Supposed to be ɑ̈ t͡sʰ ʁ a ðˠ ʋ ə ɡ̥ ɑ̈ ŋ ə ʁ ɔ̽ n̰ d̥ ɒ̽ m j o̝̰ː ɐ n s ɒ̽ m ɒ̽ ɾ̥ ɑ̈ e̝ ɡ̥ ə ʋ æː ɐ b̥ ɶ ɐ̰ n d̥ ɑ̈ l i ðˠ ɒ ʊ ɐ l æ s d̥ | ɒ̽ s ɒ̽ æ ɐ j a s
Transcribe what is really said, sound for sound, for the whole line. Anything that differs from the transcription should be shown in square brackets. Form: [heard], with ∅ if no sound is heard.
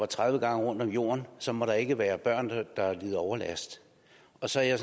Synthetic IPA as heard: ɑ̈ t͡sʰ ʁ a ðˠ ʋ ə ɡ̥ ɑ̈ ŋ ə ʁ ɔ̽ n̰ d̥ ɒ̽ m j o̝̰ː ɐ n s ɒ̽ m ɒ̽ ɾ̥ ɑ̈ e̝ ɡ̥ ə ʋ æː ɐ b̥ ɶ ɐ̰ n d̥ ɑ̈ l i ðˠ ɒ ʊ ɐ l æ s d̥ | ɒ̽ s ɒ̽ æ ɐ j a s